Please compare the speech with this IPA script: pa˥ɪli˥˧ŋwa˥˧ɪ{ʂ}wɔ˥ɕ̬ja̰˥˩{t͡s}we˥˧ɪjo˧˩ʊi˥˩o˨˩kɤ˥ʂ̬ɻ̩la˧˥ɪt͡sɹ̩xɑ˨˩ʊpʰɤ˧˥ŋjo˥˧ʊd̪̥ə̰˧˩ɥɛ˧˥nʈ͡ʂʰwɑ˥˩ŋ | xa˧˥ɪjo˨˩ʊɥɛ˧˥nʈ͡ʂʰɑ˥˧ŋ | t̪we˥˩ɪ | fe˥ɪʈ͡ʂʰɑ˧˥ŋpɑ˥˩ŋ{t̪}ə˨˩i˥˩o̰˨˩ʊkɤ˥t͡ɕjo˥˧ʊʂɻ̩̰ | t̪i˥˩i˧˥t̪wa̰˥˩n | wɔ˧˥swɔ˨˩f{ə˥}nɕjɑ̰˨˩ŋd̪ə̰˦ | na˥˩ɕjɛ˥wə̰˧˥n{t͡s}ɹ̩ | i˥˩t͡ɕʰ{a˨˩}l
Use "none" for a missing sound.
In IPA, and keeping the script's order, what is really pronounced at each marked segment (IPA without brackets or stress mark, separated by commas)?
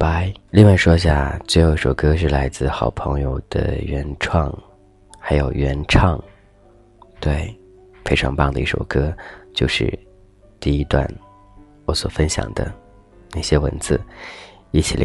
ʂ, t͡s, d̪, ə˥, t͡s, i˨˩